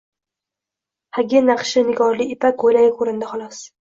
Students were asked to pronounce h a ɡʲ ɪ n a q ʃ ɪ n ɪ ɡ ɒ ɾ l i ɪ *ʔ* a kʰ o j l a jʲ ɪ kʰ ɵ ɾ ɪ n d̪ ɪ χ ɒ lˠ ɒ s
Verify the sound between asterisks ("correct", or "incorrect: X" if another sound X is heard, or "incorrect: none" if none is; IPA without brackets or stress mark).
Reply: incorrect: p